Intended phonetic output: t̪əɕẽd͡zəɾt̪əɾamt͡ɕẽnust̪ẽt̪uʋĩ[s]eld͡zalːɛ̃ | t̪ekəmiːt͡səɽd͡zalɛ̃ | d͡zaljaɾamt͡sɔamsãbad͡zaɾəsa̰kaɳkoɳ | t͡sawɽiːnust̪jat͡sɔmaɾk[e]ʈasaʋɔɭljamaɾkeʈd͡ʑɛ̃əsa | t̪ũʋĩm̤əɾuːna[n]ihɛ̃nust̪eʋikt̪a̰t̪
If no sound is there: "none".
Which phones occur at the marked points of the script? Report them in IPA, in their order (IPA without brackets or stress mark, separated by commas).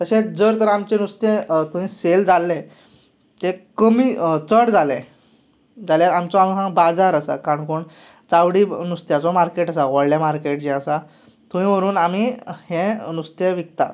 s, e, m